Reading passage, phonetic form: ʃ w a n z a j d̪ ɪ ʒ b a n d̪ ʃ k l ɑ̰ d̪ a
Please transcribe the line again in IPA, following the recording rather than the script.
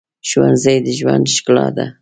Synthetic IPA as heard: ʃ w a n z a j d̪ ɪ ʒ w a n d̪ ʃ k l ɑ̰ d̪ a